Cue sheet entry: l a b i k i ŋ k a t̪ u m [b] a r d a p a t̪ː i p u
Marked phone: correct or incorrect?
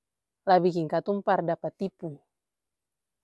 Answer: incorrect